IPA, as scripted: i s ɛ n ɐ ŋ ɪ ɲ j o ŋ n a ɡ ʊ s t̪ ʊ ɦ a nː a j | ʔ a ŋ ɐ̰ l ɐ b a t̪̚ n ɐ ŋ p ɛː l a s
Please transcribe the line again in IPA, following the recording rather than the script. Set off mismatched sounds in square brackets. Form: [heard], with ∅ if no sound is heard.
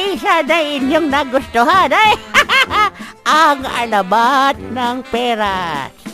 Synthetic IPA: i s [a] n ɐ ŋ ɪ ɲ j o ŋ n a ɡ ʊ s t̪ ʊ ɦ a [n] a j | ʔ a ŋ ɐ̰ l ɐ b a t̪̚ n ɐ ŋ p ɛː [ɾ] a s